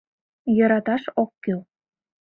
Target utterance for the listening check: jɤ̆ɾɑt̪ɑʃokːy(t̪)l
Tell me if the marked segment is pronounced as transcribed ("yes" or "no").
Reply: no